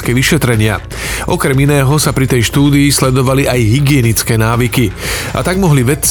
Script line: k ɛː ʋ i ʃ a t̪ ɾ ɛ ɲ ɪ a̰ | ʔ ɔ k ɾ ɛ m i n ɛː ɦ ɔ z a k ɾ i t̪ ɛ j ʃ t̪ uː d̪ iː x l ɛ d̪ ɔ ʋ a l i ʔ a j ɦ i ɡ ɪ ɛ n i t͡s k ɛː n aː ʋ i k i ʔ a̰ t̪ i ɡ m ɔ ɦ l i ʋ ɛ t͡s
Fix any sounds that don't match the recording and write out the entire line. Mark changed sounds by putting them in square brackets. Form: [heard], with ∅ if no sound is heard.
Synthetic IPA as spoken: k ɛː ʋ i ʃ [ɛ] t̪ ɾ ɛ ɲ ɪ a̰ | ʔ ɔ k ɾ ɛ m i n ɛː ɦ ɔ [s] a [p] ɾ i t̪ ɛ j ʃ t̪ uː d̪ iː [s] l ɛ d̪ ɔ ʋ a l i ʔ a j ɦ i ɡ ɪ ɛ n i t͡s k ɛː n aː ʋ i k i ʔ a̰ t̪ [a] ɡ m ɔ ɦ l i ʋ ɛ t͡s